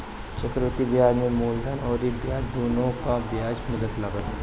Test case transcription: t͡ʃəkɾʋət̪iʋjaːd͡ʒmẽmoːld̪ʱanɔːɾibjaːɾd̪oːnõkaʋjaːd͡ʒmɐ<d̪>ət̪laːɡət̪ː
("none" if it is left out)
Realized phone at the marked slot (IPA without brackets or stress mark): d̪